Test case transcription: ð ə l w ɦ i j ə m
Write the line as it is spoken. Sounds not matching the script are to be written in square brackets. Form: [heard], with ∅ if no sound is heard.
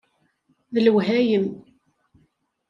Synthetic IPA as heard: ð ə l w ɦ [æ] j ə m